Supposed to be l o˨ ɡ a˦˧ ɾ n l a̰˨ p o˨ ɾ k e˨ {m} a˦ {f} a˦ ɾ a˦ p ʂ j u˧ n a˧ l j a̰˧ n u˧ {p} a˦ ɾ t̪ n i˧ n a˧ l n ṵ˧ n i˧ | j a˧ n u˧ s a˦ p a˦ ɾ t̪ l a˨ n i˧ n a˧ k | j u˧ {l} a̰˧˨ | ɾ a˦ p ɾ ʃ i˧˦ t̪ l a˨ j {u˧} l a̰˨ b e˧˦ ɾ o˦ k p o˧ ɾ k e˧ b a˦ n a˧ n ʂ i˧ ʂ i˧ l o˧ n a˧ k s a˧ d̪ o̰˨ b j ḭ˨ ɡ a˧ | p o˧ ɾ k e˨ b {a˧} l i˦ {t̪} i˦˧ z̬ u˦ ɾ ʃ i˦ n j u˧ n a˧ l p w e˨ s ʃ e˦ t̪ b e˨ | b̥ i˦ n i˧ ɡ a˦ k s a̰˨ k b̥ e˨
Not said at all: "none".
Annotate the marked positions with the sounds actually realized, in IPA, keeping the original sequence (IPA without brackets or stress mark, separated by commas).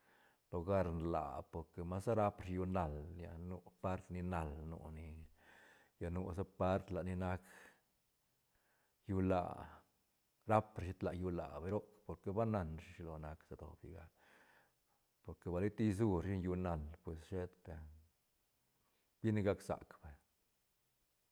m, s, p, l, u˧, a˧, t̪